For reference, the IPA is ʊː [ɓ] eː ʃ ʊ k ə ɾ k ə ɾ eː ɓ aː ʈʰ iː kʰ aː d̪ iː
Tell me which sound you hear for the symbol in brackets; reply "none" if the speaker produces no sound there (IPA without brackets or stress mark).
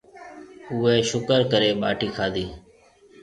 none